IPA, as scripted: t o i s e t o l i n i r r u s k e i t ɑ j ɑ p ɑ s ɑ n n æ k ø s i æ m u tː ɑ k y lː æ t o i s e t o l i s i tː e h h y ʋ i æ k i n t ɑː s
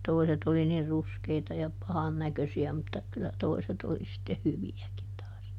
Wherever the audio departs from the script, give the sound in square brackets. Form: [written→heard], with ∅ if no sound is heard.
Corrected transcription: t o i s e t o l i n i r r u s k e i t ɑ j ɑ p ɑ [s→h] ɑ n n æ k ø s i æ m u tː ɑ k y lː æ t o i s e t o l i s i tː e h h y ʋ i æ k i n t ɑː s

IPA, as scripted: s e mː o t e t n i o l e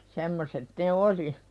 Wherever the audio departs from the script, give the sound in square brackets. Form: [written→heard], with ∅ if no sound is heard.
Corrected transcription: s e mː o [t→s] e t n [i→e] o l [e→i]

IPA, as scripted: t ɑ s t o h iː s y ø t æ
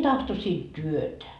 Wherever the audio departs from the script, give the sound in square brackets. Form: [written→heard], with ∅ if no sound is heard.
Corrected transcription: t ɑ [s→h] t o [h→s] iː [s→t] y ø t æ

